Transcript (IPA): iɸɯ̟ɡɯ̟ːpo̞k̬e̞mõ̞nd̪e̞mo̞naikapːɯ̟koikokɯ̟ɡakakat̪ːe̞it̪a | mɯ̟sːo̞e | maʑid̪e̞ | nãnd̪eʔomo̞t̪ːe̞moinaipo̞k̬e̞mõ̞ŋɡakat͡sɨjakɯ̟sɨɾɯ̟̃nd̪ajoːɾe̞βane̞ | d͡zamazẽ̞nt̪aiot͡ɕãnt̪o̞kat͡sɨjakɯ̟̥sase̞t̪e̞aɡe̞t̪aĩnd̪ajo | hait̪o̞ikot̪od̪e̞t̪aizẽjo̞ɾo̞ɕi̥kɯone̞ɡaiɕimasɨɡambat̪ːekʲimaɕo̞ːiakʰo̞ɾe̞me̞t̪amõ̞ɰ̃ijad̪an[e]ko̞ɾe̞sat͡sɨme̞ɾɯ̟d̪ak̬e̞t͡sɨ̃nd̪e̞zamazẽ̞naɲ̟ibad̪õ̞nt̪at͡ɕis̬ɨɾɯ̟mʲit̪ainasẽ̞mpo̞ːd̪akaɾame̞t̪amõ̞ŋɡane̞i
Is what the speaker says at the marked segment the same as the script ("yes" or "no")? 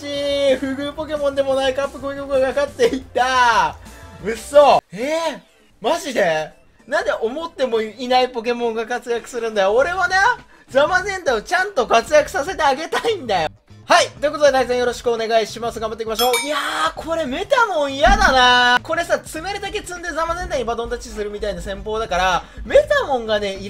no